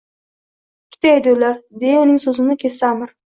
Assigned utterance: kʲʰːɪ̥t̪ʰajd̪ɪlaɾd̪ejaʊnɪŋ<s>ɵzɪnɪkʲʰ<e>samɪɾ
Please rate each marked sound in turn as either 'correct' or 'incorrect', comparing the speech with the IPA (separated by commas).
correct, correct